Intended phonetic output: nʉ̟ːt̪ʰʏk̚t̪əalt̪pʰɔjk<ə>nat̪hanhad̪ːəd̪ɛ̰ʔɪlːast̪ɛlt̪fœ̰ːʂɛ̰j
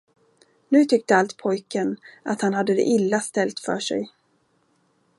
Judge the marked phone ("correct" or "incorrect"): correct